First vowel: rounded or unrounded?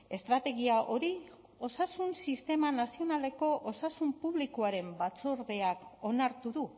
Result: unrounded